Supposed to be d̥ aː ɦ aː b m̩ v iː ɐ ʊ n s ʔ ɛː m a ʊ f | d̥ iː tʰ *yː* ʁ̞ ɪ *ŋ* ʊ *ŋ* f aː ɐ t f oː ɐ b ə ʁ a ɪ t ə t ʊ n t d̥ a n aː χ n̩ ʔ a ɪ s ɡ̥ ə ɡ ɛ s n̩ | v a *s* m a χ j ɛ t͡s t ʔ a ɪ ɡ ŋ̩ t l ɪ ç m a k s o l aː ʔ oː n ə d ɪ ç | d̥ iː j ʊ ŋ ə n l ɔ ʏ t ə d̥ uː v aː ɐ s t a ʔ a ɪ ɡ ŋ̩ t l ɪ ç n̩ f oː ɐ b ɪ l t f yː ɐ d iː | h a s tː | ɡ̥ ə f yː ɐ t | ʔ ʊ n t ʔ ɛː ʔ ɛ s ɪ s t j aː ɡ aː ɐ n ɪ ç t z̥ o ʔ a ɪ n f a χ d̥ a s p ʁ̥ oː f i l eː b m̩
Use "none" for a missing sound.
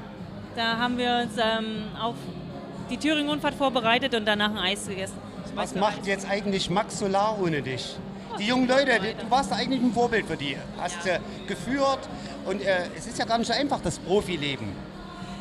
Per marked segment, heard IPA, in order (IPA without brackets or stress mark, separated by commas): yː, ŋ, n, s